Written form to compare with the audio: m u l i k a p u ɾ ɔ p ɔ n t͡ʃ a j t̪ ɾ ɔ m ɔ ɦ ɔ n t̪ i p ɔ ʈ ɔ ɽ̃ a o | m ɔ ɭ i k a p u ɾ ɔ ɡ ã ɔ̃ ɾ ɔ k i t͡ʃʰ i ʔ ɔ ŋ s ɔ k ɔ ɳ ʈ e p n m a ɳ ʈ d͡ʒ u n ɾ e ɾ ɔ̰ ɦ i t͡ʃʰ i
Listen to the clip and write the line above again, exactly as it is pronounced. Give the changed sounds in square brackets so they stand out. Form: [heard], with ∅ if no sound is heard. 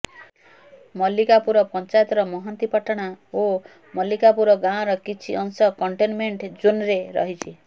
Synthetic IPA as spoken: m [ɔ] l i k a p u ɾ ɔ p ɔ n t͡ʃ a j t̪ ɾ ɔ m ɔ ɦ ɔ n t̪ i p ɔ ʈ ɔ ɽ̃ a o | m ɔ [l] i k a p u ɾ ɔ ɡ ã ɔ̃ ɾ ɔ k i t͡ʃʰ i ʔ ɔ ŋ s ɔ k ɔ ɳ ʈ e [∅] n m [e] ɳ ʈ d͡ʒ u n ɾ e ɾ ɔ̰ ɦ i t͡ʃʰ i

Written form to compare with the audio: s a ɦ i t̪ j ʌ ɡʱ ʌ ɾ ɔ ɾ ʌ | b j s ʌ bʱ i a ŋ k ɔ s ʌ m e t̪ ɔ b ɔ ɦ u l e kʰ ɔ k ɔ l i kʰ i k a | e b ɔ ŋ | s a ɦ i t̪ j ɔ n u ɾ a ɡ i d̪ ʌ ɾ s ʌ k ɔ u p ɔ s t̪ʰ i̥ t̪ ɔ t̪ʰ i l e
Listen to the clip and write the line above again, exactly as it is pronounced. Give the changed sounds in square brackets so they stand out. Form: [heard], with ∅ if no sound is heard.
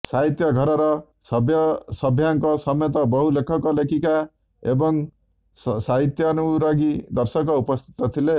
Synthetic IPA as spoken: s a ɦ i t̪ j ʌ ɡʱ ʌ ɾ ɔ ɾ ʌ | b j s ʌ bʱ [j] a ŋ k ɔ s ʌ m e t̪ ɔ b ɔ ɦ u l e kʰ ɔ k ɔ l [e] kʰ i k a | e b ɔ ŋ | s a ɦ i t̪ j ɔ n u ɾ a ɡ i d̪ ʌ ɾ s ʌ k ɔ u p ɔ s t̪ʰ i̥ t̪ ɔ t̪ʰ i l e

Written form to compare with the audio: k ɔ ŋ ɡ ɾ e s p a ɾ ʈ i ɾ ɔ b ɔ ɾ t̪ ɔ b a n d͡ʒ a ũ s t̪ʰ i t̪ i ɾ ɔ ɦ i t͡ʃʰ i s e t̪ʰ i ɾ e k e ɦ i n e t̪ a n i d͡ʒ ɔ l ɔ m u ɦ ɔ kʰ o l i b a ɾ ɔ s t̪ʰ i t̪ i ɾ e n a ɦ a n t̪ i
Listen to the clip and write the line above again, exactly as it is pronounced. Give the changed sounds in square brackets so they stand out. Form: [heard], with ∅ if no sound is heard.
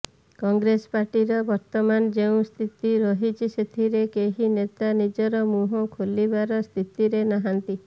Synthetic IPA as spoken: k ɔ ŋ ɡ ɾ e s p a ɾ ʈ i ɾ ɔ b ɔ ɾ t̪ ɔ [m] a n d͡ʒ [e] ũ s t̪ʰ i t̪ i ɾ ɔ ɦ i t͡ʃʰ i s e t̪ʰ i ɾ e k e ɦ i n e t̪ a n i d͡ʒ ɔ [ɾ] ɔ m u ɦ ɔ kʰ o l i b a ɾ ɔ s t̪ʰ i t̪ i ɾ e n a ɦ a n t̪ i

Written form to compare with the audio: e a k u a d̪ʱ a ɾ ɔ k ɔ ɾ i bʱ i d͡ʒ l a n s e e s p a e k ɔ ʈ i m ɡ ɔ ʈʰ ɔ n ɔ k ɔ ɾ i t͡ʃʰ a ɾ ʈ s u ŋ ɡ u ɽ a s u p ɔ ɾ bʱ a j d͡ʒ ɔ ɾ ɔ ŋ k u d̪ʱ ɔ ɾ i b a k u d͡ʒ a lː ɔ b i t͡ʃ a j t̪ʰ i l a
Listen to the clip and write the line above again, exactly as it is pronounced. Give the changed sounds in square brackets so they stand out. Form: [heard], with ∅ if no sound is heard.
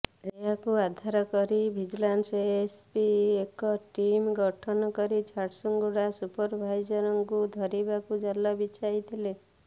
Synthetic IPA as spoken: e a k u a d̪ʱ a ɾ ɔ k ɔ ɾ i bʱ i d͡ʒ l a n s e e s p [i] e k ɔ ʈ i m ɡ ɔ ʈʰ ɔ n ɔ k ɔ ɾ i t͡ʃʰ a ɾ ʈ s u ŋ ɡ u ɽ a s u p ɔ ɾ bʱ a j d͡ʒ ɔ ɾ ɔ ŋ k u d̪ʱ ɔ ɾ i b a k u d͡ʒ a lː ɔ b i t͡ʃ a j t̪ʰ i l [e]

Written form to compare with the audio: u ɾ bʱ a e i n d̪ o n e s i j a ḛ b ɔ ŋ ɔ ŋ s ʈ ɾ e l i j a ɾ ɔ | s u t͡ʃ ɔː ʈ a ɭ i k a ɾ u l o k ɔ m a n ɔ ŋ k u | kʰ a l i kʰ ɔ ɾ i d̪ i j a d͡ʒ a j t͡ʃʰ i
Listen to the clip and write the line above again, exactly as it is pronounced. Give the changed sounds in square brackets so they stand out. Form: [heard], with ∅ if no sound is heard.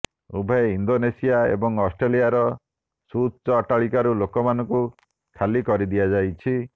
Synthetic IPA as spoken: u [∅] bʱ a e i n d̪ o n e s i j a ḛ b ɔ ŋ ɔ [∅] s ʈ ɾ e l i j a ɾ ɔ | s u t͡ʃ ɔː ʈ a ɭ i k a ɾ u l o k ɔ m a n ɔ ŋ k u | kʰ a l i [k] ɔ ɾ i d̪ i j a d͡ʒ a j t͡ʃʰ i

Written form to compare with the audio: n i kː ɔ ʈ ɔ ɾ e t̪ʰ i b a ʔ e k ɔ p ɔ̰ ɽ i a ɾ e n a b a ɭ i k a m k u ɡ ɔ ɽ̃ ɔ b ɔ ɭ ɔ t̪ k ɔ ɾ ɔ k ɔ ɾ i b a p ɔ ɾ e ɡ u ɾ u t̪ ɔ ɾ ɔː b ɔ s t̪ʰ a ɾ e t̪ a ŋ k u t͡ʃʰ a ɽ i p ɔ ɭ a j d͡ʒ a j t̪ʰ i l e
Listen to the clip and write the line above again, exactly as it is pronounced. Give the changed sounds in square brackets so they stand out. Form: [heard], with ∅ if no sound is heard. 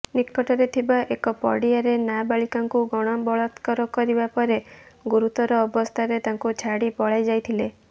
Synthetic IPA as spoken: n i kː ɔ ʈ ɔ ɾ e t̪ʰ i b a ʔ e k ɔ p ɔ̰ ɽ i a ɾ e n a b a ɭ i k a [ŋ] k u ɡ ɔ ɽ̃ ɔ b ɔ ɭ ɔ t̪ k ɔ ɾ ɔ k ɔ ɾ i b a p ɔ ɾ e ɡ u ɾ u t̪ ɔ ɾ ɔː b ɔ s t̪ʰ a ɾ e t̪ a ŋ k u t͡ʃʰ a ɽ i p ɔ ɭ a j d͡ʒ a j t̪ʰ i l e

